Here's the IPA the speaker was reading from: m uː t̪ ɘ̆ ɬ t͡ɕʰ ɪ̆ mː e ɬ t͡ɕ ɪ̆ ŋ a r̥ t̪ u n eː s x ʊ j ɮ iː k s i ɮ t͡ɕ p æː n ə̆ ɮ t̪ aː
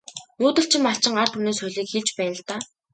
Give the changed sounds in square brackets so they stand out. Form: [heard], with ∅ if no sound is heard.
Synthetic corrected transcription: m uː t̪ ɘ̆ ɬ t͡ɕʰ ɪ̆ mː [a] ɬ t͡ɕ ɪ̆ ŋ a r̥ t̪ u n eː s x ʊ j ɮ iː k [x] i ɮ t͡ɕ p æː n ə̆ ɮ t̪ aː